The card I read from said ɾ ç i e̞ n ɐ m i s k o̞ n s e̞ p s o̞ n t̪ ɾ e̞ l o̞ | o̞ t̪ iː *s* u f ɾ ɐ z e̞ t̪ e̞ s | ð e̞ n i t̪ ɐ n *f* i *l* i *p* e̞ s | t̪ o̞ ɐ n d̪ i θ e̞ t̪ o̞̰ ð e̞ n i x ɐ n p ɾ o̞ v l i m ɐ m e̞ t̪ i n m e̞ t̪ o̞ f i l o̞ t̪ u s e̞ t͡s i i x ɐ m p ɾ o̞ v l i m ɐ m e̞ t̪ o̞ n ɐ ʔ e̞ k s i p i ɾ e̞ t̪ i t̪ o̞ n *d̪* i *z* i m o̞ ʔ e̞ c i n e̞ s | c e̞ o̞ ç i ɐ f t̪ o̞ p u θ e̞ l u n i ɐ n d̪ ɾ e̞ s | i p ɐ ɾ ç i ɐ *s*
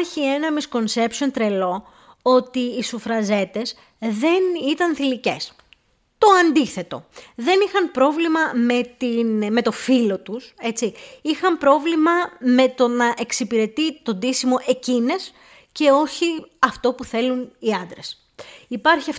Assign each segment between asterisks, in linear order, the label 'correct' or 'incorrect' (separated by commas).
correct, incorrect, correct, incorrect, correct, incorrect, incorrect